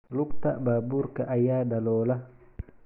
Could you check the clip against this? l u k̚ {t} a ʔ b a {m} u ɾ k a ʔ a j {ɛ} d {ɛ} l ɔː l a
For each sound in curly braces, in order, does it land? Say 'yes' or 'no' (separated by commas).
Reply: yes, no, no, no